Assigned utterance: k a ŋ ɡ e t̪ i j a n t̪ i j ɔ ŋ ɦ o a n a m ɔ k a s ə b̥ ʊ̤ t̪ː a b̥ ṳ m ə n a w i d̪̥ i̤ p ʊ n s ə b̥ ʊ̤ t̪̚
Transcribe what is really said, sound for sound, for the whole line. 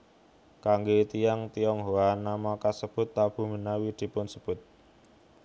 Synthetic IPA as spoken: k a ŋ ɡ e t̪ i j a ŋ t̪ i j ɔ ŋ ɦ o a n a m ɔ k a s ə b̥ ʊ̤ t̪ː a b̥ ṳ m ə n a w i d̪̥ i̤ p ʊ n s ə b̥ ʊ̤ t̪̚